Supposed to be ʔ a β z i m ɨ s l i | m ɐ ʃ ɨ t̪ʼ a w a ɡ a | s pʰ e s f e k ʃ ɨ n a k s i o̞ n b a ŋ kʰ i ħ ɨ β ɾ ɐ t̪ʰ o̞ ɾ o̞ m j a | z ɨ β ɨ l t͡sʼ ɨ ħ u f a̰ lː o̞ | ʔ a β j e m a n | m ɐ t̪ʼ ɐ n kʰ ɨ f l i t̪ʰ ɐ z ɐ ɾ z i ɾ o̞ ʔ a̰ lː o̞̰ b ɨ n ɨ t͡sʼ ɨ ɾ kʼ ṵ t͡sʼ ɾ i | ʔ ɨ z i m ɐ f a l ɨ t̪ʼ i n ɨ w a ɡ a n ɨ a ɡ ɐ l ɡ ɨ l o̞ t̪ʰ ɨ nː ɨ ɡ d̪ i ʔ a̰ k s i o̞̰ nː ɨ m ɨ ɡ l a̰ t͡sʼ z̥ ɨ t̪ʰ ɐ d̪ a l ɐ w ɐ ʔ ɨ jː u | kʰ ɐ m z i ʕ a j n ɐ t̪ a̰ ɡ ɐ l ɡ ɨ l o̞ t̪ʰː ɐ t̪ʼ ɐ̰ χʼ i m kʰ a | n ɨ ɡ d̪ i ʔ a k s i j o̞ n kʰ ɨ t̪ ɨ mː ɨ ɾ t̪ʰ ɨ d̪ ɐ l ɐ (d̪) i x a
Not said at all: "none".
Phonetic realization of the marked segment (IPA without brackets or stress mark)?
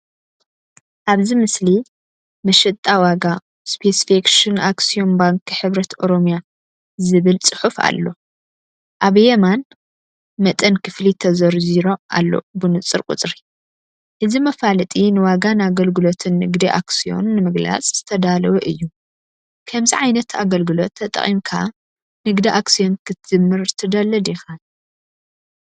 d̪